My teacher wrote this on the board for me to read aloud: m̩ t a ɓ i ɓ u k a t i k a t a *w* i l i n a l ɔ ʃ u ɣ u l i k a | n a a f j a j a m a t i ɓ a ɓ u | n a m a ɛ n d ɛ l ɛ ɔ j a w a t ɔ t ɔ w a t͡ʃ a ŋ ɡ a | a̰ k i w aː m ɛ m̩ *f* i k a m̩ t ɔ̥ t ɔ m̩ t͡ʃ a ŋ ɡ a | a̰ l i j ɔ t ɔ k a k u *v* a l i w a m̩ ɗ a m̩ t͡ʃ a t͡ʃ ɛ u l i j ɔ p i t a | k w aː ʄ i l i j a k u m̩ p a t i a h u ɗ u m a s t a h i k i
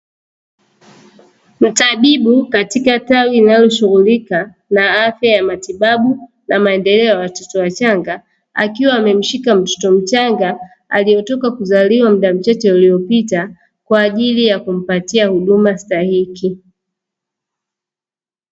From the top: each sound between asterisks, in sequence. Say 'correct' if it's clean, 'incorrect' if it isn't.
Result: correct, incorrect, incorrect

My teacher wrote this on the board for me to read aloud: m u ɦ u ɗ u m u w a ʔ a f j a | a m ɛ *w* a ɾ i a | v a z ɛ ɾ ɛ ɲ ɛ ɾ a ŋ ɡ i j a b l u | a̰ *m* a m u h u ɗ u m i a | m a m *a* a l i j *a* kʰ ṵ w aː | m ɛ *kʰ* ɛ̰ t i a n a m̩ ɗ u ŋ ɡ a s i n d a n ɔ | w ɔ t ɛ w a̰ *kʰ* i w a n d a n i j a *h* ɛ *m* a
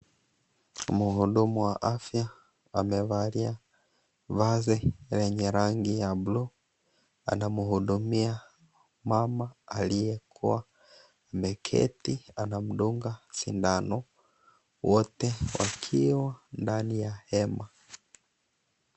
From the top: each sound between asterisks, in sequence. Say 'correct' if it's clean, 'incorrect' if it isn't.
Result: incorrect, incorrect, correct, incorrect, correct, correct, correct, correct

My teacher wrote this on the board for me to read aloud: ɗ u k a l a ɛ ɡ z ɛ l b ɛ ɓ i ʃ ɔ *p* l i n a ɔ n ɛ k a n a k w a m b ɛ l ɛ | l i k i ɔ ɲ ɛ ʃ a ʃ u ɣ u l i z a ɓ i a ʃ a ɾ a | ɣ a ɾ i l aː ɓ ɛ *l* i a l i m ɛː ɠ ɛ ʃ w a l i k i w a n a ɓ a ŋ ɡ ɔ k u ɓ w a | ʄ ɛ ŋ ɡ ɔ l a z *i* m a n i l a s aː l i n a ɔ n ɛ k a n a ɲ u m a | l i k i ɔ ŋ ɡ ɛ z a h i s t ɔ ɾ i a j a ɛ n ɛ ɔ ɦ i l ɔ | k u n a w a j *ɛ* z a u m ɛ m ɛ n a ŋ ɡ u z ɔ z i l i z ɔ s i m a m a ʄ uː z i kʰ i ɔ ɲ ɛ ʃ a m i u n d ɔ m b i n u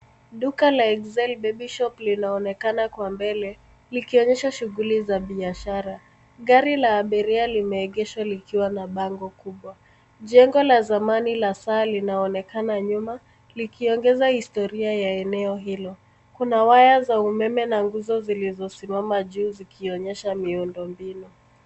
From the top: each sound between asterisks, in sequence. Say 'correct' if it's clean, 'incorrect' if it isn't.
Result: correct, incorrect, incorrect, incorrect

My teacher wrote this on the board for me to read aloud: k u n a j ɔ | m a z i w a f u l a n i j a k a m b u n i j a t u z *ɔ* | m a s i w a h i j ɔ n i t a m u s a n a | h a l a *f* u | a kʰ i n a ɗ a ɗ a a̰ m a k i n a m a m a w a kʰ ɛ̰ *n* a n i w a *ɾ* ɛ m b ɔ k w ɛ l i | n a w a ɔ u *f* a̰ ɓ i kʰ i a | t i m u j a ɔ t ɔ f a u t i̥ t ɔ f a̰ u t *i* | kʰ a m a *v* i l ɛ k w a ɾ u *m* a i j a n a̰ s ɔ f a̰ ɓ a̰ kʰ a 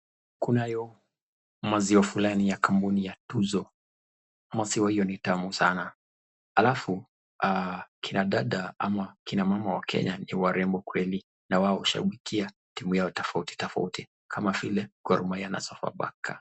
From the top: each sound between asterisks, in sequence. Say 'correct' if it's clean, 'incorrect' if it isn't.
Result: correct, correct, incorrect, correct, incorrect, correct, correct, correct

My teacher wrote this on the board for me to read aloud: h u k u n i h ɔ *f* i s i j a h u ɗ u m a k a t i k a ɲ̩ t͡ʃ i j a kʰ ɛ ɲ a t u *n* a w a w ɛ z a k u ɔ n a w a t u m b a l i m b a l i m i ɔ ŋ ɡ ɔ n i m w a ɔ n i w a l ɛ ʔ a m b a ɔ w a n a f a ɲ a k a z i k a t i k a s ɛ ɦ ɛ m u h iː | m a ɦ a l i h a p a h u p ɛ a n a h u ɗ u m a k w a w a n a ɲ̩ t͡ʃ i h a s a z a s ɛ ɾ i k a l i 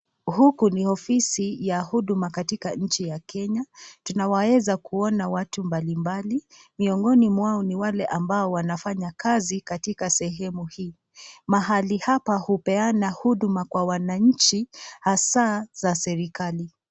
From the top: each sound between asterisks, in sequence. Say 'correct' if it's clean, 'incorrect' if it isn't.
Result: correct, correct

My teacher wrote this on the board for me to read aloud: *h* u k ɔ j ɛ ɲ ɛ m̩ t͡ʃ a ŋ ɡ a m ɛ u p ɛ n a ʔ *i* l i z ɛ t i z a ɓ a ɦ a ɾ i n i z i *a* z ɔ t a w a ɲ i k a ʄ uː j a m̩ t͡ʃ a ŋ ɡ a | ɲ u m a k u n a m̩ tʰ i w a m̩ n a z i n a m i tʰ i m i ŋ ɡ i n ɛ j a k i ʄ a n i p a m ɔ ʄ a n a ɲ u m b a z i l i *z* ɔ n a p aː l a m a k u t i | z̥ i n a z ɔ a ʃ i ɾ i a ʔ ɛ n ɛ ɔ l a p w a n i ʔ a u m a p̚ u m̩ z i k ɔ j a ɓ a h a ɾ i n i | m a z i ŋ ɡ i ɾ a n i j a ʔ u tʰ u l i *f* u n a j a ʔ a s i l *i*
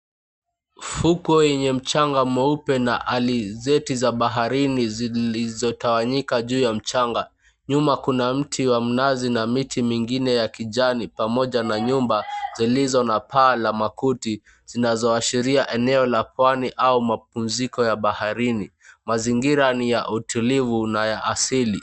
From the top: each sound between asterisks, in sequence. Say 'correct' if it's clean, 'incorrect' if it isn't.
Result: incorrect, incorrect, incorrect, correct, incorrect, correct

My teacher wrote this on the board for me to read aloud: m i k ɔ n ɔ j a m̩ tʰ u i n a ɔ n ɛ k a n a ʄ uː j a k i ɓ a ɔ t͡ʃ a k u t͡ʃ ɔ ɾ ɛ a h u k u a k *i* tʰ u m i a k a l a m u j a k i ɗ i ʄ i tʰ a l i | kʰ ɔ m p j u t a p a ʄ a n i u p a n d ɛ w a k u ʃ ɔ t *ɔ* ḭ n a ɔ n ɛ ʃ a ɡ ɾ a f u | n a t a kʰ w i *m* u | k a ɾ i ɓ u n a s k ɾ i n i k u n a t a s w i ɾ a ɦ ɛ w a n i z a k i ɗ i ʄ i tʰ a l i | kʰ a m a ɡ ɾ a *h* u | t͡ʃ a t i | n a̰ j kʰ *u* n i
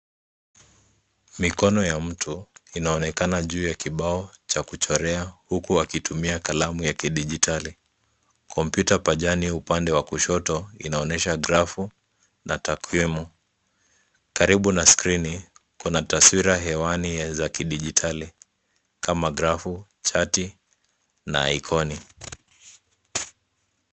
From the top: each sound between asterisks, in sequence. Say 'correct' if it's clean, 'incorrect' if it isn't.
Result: correct, correct, correct, incorrect, incorrect

